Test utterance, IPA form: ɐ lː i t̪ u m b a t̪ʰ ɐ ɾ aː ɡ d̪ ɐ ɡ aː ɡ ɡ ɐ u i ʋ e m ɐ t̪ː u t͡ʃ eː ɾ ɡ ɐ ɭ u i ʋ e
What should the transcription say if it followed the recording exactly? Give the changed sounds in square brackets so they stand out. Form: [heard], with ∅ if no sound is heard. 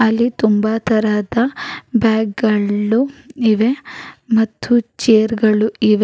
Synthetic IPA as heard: ɐ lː i t̪ u m b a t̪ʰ ɐ ɾ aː [∅] d̪ ɐ [b] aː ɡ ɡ ɐ u i ʋ e m ɐ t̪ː u t͡ʃ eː ɾ ɡ ɐ ɭ u i ʋ e